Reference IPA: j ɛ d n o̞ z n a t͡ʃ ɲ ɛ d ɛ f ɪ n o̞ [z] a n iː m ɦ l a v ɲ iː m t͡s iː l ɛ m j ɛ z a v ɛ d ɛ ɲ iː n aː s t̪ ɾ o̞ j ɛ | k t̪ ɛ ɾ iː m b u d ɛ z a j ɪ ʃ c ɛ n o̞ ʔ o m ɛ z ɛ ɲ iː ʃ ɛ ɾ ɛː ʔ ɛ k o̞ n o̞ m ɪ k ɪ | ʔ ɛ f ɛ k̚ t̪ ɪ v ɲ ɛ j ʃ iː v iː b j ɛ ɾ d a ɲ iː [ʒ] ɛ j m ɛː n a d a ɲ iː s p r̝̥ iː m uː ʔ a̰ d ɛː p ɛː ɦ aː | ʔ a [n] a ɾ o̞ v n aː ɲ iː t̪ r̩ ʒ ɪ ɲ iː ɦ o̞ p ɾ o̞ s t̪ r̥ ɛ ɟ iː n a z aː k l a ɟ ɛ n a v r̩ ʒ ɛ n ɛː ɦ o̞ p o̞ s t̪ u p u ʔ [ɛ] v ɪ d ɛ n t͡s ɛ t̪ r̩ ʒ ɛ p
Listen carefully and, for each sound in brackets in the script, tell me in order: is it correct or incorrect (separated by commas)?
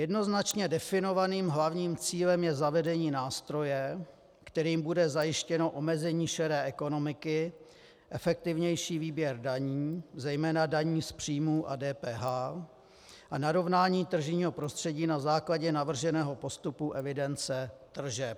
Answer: incorrect, incorrect, correct, correct